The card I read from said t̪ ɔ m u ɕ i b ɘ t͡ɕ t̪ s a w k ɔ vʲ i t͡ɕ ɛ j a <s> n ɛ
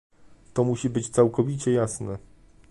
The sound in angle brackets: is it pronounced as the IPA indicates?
yes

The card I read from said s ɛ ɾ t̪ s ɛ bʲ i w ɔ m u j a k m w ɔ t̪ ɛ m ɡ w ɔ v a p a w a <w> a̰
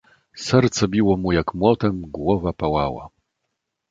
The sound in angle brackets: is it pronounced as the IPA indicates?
yes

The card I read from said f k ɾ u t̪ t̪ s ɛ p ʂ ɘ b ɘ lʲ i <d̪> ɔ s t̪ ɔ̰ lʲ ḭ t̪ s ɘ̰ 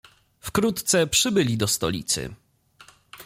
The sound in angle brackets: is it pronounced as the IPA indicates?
yes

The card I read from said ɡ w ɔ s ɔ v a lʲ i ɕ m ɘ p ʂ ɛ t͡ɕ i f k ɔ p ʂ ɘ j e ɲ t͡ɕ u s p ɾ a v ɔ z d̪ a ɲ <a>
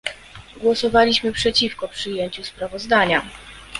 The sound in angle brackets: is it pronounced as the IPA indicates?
yes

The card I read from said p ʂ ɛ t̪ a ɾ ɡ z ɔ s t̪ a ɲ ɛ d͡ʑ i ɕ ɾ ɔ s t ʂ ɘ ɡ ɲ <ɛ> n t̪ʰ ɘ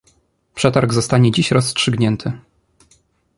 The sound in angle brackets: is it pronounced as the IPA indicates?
yes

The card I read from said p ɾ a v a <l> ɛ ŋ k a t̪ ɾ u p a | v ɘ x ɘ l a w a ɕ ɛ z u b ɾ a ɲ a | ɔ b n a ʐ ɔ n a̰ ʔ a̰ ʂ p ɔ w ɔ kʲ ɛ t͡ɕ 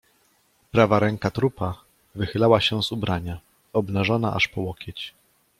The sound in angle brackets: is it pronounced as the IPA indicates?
no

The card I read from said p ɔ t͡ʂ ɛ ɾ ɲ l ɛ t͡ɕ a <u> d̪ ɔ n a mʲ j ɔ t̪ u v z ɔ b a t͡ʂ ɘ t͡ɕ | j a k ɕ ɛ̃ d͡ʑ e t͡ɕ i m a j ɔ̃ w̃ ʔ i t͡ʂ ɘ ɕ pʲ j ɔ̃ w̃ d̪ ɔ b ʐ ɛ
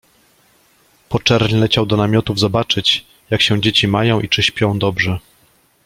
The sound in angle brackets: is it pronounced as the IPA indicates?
no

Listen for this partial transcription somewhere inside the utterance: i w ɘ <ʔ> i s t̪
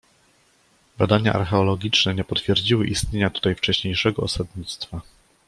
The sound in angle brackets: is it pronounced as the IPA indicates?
yes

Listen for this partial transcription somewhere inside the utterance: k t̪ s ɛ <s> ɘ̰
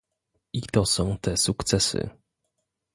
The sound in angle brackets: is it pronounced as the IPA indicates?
yes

